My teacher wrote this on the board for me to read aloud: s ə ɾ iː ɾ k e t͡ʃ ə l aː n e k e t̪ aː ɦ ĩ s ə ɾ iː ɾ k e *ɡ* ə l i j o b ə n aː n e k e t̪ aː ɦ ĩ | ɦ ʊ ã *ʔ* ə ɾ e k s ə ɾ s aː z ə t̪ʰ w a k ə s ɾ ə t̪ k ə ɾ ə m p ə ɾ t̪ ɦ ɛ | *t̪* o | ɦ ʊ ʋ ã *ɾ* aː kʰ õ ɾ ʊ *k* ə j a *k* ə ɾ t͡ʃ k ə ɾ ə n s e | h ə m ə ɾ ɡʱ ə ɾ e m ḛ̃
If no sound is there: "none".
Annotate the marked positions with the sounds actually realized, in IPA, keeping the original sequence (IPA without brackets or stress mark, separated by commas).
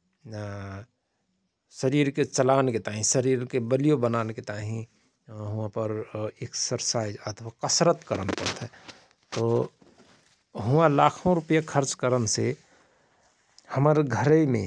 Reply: b, p, t̪, l, p, kʰ